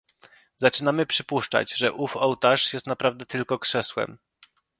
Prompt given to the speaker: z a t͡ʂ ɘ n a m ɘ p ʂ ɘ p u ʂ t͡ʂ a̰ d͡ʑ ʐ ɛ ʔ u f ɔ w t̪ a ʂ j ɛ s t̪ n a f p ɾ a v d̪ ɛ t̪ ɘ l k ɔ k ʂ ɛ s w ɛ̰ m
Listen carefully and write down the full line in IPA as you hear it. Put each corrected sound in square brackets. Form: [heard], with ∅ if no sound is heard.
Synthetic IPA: z a t͡ʂ ɘ n a m ɘ p ʂ ɘ p u ʂ t͡ʂ a̰ d͡ʑ ʐ ɛ ʔ u f ɔ w t̪ a ʂ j ɛ s t̪ n a [∅] p ɾ a v d̪ ɛ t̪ ɘ l k ɔ k ʂ ɛ s w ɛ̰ m

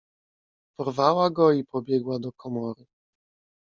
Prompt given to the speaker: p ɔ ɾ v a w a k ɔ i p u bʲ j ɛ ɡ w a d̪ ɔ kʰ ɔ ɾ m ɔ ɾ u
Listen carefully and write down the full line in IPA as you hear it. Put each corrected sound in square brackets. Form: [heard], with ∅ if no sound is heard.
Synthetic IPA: p ɔ ɾ v a w a [ɡ] ɔ i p [ɔ] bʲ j ɛ ɡ w a d̪ ɔ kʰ ɔ [∅] m ɔ ɾ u

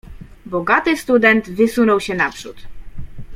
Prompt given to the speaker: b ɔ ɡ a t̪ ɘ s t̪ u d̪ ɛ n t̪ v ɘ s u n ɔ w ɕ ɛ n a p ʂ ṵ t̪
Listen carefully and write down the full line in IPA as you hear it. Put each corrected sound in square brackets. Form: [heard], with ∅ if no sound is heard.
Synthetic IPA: b ɔ ɡ a t̪ ɘ s t̪ u d̪ ɛ n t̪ v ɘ s u n ɔ w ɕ ɛ n a p ʂ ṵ t̪

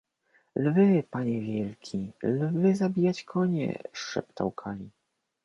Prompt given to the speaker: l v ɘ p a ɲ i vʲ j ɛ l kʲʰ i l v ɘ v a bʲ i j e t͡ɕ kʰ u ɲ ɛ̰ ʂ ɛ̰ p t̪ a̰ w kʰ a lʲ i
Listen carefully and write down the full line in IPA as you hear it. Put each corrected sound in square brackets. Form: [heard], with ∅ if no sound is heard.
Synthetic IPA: l v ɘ p a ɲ [ɛ] vʲ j ɛ l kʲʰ i l v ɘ [z] a bʲ i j [a] t͡ɕ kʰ [ɔ] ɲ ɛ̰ ʂ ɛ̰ p t̪ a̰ w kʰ a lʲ i

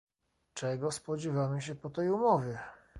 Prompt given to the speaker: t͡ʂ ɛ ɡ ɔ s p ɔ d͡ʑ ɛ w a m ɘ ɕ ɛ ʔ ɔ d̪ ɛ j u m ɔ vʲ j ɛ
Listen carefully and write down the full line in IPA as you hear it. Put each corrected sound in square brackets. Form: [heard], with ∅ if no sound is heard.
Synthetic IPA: t͡ʂ ɛ ɡ ɔ s p ɔ d͡ʑ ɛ [v] a m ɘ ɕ ɛ [p] ɔ [t̪] ɛ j u m ɔ vʲ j ɛ

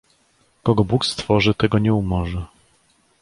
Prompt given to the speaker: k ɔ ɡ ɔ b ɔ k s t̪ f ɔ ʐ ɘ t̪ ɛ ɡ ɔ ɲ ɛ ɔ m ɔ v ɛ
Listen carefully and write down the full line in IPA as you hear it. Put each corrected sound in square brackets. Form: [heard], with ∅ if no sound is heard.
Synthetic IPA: k ɔ ɡ ɔ b [u] k s t̪ f ɔ ʐ ɘ t̪ ɛ ɡ ɔ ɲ ɛ [u] m ɔ [ʐ] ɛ

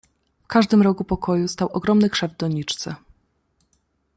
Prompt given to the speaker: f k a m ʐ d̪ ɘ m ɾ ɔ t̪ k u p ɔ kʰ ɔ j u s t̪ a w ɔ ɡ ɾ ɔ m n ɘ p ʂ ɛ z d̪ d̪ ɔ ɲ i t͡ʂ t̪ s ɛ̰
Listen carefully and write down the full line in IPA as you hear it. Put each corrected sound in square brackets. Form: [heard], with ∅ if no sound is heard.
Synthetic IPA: f k a [∅] ʐ d̪ ɘ m ɾ ɔ [∅] k u p ɔ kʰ ɔ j u s t̪ a w ɔ ɡ ɾ ɔ m n ɘ [k] ʂ ɛ [v] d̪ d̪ ɔ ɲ i t͡ʂ t̪ s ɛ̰

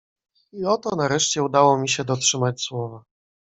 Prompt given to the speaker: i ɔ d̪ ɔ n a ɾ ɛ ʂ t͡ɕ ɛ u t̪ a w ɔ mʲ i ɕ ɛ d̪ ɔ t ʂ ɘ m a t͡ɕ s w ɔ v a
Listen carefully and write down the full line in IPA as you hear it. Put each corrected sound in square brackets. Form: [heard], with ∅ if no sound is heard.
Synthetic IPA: i ɔ [t̪] ɔ n a ɾ ɛ ʂ t͡ɕ ɛ u [d̪] a w ɔ mʲ i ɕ ɛ d̪ ɔ t ʂ ɘ m a t͡ɕ s w ɔ v a

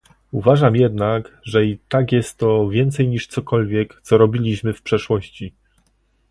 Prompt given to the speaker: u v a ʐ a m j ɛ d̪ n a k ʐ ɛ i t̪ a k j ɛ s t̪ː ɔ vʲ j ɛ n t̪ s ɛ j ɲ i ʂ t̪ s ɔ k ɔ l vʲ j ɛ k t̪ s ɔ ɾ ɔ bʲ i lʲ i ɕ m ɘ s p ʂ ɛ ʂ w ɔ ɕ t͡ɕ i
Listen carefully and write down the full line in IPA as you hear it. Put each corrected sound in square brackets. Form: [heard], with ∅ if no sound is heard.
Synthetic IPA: u v a ʐ a m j ɛ d̪ n a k ʐ ɛ i t̪ a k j ɛ s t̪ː ɔ vʲ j ɛ n t̪ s ɛ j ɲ i ʂ t̪ s ɔ k ɔ l vʲ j ɛ k t̪ s ɔ ɾ ɔ bʲ i lʲ i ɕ m ɘ [f] p ʂ ɛ ʂ w ɔ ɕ t͡ɕ i

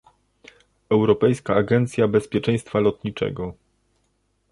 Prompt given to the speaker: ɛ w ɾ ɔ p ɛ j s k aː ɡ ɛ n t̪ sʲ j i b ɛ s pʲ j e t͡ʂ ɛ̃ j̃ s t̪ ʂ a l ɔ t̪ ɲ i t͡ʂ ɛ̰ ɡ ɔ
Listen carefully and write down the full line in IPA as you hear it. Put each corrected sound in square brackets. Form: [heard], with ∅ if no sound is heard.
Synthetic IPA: ɛ w ɾ ɔ p ɛ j s k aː ɡ ɛ n t̪ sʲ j [a] b ɛ s pʲ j [ɛ] t͡ʂ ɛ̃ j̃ s t̪ [f] a l ɔ t̪ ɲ i t͡ʂ ɛ̰ ɡ ɔ

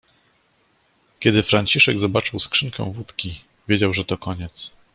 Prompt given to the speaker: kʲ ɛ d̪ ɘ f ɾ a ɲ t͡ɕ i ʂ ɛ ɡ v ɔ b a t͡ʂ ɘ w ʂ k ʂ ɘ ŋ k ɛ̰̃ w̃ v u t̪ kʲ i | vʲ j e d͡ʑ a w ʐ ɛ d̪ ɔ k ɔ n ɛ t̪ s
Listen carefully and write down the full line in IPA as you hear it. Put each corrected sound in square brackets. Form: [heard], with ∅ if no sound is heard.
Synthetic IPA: kʲ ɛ d̪ ɘ f ɾ a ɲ t͡ɕ i ʂ ɛ ɡ [z] ɔ b a t͡ʂ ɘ w [s] k ʂ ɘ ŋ k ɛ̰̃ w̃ v u t̪ kʲ i | vʲ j e d͡ʑ a w ʐ ɛ [t̪] ɔ k ɔ [ɲ] ɛ t̪ s

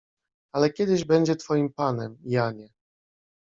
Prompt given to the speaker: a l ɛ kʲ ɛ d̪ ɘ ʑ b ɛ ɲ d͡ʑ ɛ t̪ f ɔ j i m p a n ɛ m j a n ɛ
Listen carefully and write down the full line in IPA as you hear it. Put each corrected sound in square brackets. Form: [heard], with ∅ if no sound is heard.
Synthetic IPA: a l ɛ kʲ ɛ d̪ ɘ ʑ b ɛ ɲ d͡ʑ ɛ t̪ f ɔ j i m p a n ɛ m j a [ɲ] ɛ

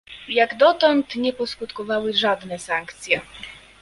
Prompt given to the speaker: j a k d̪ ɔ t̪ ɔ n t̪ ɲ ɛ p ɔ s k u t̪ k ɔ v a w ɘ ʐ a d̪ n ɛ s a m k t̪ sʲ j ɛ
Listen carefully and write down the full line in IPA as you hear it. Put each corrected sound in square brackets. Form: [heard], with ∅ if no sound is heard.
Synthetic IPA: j a [ɡ] d̪ ɔ t̪ ɔ n t̪ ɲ ɛ p ɔ s k u t̪ k ɔ v a w ɘ ʐ a d̪ n ɛ s a [ŋ] k t̪ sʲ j ɛ

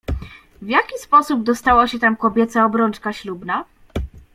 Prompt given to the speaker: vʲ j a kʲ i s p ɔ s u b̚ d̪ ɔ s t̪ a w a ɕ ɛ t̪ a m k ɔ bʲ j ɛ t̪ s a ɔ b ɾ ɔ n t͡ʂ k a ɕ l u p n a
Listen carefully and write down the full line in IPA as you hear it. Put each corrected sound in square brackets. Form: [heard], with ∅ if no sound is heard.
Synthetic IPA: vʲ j a kʲ i s p ɔ s u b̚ d̪ ɔ s t̪ a w a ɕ ɛ t̪ a m k ɔ bʲ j ɛ t̪ s a ɔ b ɾ ɔ n t͡ʂ k a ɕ l u [b] n a

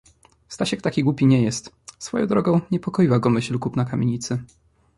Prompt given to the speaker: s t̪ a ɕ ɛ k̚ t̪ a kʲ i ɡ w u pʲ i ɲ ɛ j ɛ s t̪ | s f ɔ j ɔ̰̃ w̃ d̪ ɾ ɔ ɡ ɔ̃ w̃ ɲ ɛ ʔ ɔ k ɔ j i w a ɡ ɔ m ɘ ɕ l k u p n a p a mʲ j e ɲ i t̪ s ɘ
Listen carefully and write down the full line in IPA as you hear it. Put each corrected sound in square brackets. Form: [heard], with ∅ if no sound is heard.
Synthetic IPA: s t̪ a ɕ ɛ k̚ t̪ a kʲ i ɡ w u pʲ i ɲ ɛ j ɛ s t̪ | s f ɔ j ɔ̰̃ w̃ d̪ ɾ ɔ ɡ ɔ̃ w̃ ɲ ɛ [p] ɔ k ɔ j i w a ɡ ɔ m ɘ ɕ l k u p n a [k] a mʲ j e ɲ i t̪ s ɘ

